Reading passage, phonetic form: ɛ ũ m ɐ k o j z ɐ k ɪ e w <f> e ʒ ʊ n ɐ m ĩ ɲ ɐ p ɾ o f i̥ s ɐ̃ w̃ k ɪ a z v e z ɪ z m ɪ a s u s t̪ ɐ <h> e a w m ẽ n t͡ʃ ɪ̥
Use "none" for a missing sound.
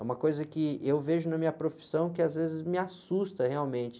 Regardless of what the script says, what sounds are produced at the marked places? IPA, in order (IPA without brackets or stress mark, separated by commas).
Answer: v, h